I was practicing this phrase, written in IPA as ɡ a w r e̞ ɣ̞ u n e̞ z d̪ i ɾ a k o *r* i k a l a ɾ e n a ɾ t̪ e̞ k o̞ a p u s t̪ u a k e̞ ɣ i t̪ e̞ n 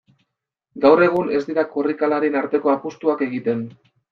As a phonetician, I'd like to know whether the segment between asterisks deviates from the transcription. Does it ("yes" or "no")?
no